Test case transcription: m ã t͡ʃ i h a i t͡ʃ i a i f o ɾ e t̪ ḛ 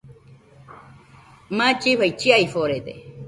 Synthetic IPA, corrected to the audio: m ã t͡ʃ i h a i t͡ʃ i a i f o ɾ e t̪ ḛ